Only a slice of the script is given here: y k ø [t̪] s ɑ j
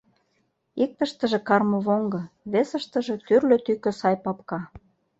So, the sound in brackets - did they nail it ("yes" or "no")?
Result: no